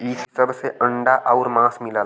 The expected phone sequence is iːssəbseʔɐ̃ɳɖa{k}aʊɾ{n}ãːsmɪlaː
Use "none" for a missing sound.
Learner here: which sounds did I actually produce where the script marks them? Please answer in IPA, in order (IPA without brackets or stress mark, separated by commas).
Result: ʔ, m